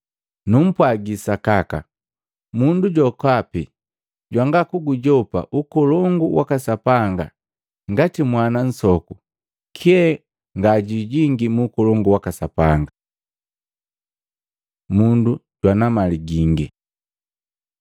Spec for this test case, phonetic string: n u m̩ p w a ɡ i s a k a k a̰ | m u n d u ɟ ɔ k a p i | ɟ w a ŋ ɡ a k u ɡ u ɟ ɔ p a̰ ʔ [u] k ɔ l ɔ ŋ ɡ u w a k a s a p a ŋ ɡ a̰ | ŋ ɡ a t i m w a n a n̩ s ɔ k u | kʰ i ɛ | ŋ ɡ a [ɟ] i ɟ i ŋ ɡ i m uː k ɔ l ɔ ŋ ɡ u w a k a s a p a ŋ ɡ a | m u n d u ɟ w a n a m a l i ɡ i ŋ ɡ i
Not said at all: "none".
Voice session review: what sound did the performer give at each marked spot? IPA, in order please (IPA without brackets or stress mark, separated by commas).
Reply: u, ɟ